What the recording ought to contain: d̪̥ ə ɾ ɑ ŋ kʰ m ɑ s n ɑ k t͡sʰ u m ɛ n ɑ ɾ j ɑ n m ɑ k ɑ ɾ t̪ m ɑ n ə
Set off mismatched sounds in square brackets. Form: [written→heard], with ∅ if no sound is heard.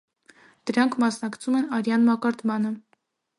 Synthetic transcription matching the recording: d̪̥ ə ɾ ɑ ŋ kʰ m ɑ s n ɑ k t͡sʰ u m ɛ n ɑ ɾ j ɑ n m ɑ k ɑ ɾ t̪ m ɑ n ə